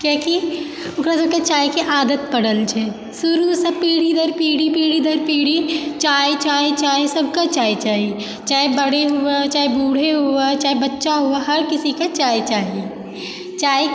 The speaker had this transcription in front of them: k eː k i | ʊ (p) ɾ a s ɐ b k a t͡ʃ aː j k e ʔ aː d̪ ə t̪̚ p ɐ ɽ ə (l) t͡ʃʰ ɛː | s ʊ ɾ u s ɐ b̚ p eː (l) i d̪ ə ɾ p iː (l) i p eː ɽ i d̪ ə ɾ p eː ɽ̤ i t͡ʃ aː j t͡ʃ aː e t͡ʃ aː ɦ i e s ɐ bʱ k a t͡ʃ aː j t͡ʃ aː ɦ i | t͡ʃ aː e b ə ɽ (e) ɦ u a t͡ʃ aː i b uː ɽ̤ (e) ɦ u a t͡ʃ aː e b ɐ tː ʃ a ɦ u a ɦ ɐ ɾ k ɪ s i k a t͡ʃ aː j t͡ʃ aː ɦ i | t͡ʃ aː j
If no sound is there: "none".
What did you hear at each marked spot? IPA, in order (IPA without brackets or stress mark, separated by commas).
k, l, ɽ, ɽ, e, e